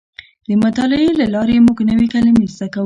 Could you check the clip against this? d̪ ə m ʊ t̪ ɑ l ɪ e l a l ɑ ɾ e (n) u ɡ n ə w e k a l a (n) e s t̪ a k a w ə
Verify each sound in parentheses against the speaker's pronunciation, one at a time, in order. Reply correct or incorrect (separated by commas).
incorrect, incorrect